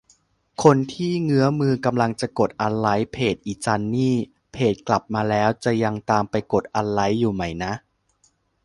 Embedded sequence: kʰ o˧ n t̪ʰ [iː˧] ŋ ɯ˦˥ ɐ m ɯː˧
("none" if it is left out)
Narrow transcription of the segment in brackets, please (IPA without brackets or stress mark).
iː˥˩